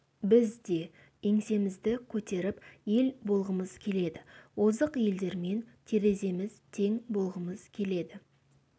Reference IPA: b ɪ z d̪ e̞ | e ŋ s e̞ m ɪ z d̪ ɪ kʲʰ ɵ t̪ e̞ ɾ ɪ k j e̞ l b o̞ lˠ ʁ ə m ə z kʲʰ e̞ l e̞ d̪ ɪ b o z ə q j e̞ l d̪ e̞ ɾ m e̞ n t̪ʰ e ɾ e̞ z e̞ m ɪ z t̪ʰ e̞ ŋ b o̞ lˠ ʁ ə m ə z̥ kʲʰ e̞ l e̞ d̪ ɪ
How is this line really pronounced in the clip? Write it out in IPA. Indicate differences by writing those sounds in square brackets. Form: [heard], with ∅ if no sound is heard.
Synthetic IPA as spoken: b ɪ z d̪ e̞ | e ŋ s e̞ m ɪ z d̪ ɪ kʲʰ ɵ t̪ e̞ ɾ ɪ [p] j e̞ l b o̞ lˠ ʁ ə m ə z kʲʰ e̞ l e̞ d̪ ɪ [w] o z ə q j e̞ l d̪ e̞ ɾ m e̞ n t̪ʰ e ɾ e̞ z e̞ m ɪ z t̪ʰ e̞ ŋ b o̞ lˠ ʁ ə m ə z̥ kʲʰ e̞ l e̞ d̪ ɪ